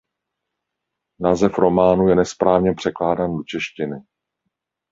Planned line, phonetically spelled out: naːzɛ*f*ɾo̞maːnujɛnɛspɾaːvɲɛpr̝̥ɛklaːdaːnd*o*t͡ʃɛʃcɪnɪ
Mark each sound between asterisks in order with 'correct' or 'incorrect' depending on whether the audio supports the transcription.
correct, correct

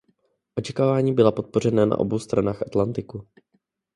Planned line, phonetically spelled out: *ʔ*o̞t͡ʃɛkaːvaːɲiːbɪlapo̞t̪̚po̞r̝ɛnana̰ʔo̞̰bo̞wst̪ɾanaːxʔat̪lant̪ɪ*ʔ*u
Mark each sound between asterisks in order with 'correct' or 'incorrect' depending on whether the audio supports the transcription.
correct, incorrect: k

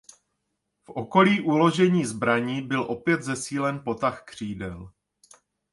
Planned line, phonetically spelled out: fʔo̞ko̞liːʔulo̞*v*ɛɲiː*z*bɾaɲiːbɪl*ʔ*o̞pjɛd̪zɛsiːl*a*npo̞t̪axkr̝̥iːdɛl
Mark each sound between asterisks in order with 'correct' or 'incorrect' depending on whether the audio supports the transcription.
incorrect: ʒ, correct, correct, incorrect: ɛ

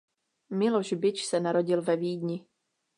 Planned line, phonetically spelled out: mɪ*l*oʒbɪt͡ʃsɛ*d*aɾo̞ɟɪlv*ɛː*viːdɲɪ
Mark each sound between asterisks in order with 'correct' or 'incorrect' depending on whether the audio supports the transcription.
correct, incorrect: n, incorrect: ɛ

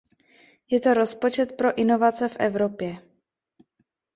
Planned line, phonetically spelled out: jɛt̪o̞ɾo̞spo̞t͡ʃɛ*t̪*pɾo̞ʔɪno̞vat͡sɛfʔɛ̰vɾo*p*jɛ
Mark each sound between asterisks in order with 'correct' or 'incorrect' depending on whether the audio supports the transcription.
correct, correct

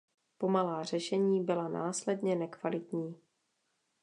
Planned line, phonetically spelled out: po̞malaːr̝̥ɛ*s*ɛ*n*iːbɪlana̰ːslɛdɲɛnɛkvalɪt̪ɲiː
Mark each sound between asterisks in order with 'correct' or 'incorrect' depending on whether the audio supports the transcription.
incorrect: ʃ, incorrect: ɲ

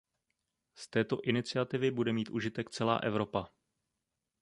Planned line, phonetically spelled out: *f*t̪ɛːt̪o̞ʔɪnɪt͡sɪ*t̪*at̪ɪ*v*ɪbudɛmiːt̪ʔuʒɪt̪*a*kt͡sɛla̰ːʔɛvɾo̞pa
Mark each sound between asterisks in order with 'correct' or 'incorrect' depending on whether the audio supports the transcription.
incorrect: s, incorrect: none, correct, incorrect: ɛ

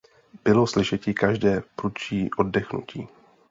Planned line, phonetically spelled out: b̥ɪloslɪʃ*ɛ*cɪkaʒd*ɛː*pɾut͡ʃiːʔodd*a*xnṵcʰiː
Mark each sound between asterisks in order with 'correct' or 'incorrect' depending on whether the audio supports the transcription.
correct, correct, incorrect: ɛ

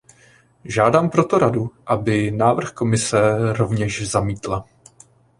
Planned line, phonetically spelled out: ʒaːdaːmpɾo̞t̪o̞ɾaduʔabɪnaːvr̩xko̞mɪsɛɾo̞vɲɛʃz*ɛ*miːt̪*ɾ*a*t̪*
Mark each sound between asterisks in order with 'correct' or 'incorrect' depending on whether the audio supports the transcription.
incorrect: a, incorrect: l, incorrect: none

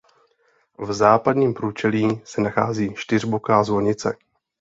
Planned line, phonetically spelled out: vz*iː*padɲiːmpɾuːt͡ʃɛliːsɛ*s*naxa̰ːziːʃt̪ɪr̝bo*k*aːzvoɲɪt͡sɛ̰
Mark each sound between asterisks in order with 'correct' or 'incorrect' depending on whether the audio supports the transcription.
incorrect: aː, incorrect: none, correct

